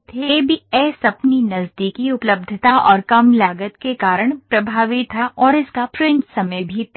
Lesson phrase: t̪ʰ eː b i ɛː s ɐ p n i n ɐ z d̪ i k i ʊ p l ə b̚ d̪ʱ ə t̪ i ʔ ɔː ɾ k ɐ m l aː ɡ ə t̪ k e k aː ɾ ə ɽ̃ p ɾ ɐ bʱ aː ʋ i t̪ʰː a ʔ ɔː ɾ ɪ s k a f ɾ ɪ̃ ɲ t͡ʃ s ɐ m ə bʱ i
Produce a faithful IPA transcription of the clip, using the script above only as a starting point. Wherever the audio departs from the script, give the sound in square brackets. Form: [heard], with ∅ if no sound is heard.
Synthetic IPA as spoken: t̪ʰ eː b i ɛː s ɐ p n i n ɐ z d̪ i k i ʊ p l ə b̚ d̪ʱ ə t̪ [a] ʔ ɔː ɾ k ɐ m l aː ɡ ə t̪ k e k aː ɾ ə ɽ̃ p ɾ ɐ bʱ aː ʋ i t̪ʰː a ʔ ɔː ɾ ɪ s k a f ɾ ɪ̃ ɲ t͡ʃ s ɐ m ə bʱ i